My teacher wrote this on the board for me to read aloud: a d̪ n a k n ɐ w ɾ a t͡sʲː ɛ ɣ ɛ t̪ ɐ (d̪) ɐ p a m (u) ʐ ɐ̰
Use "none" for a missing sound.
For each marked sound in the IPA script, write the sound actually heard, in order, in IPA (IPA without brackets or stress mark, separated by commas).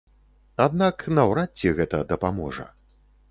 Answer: d̪, ɔ